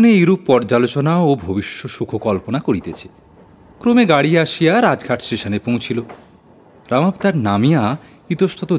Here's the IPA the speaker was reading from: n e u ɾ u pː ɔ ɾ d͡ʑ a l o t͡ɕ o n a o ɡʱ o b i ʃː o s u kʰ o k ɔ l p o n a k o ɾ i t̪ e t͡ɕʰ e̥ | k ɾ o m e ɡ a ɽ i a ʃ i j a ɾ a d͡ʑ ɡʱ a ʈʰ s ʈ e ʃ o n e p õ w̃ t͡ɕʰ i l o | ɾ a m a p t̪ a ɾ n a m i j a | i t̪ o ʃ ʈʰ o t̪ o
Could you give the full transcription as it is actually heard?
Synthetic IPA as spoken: n e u ɾ u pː ɔ ɾ d͡ʑ a l o t͡ɕ o n a o bʱ o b i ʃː o ʃ u kʰ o k ɔ l p o n a k o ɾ i t̪ e t͡ɕʰ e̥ | k ɾ o m e ɡ a ɽ i a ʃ i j a ɾ a d͡ʑ ɡʱ a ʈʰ s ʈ e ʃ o n e p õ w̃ t͡ɕʰ i l o | ɾ a m a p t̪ a ɾ n a m i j a | i t̪ o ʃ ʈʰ o t̪ o